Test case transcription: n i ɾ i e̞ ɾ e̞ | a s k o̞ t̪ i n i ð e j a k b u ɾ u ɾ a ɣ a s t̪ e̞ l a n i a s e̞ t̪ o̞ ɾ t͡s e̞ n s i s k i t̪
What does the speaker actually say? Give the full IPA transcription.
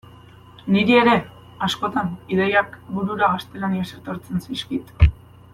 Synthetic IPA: n i ɾ i e̞ ɾ e̞ | a s k o̞ t̪ a n i ð e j a k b u ɾ u ɾ a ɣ a s t̪ e̞ l a n i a s e̞ t̪ o̞ ɾ t͡s e̞ n s i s k i t̪

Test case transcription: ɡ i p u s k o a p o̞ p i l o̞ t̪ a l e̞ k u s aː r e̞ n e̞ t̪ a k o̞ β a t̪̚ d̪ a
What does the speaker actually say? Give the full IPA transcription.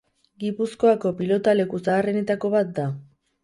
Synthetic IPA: ɡ i p u s k o a k o̞ p i l o̞ t̪ a l e̞ k u s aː r e̞ n e̞ t̪ a k o̞ β a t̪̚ d̪ a

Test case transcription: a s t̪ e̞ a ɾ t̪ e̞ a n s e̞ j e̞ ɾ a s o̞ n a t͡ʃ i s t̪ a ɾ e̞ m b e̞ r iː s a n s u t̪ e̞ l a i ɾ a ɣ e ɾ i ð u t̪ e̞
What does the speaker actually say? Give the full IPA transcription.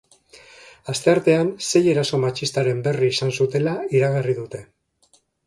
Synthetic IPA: a s t̪ e̞ a ɾ t̪ e̞ a n s e̞ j e̞ ɾ a s o̞ m a t͡ʃ i s t̪ a ɾ e̞ m b e̞ r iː s a n s u t̪ e̞ l a i ɾ a ɣ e r i ð u t̪ e̞

